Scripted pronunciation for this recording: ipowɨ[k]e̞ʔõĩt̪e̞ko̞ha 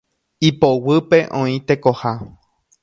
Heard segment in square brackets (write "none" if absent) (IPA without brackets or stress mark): p